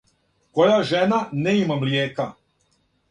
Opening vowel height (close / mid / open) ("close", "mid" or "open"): mid